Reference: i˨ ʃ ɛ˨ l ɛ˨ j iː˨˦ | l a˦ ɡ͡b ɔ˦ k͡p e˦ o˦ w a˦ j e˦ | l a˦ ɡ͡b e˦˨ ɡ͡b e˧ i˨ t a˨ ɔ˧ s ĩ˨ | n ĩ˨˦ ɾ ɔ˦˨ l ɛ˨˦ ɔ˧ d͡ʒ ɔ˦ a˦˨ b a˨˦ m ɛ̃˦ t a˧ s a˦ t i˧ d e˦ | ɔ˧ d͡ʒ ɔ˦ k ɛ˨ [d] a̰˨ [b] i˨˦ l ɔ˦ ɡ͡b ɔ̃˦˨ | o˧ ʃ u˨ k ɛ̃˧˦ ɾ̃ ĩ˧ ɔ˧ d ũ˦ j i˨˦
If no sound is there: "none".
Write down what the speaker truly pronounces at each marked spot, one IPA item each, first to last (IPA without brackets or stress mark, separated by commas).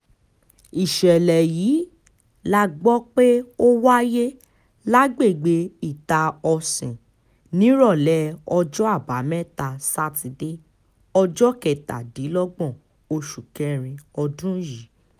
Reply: t, d